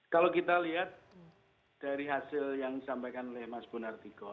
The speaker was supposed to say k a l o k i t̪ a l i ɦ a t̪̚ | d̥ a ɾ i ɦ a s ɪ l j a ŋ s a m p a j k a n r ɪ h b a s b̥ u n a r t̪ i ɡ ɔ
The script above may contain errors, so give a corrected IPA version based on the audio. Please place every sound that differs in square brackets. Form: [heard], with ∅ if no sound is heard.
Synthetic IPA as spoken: k a l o k i t̪ a l i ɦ a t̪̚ | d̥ a ɾ i ɦ a s ɪ l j a ŋ s a m p a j k a n [l] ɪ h [m] a s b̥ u n a r t̪ i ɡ ɔ